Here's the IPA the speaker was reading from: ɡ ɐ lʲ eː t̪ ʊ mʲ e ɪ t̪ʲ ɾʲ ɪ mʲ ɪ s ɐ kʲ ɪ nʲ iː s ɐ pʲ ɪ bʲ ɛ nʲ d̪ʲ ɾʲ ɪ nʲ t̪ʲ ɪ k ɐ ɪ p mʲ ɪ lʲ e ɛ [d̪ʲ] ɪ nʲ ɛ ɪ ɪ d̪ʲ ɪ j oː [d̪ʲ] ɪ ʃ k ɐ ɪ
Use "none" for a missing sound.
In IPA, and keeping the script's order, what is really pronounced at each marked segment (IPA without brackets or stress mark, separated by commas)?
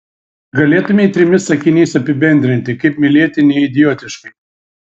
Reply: t̪ʲ, t̪ʲ